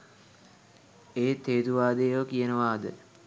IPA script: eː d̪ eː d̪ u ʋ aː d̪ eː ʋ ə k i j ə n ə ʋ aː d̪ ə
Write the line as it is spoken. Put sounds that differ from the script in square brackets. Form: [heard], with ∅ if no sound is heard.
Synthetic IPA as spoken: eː [t̪] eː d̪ u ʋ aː d̪ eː ʋ ə k i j ə n ə ʋ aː d̪ ə